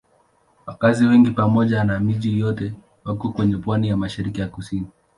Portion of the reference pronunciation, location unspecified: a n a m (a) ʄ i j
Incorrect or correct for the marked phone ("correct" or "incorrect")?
incorrect